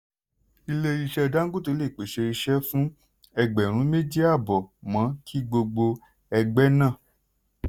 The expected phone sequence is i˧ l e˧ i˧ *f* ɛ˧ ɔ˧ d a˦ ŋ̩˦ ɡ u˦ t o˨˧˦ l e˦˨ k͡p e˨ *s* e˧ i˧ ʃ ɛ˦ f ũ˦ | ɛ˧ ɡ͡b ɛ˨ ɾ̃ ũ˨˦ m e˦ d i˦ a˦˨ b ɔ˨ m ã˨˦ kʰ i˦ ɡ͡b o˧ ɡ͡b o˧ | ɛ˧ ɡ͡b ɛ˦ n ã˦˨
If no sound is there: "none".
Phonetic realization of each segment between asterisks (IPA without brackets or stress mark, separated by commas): ʃ, ʃ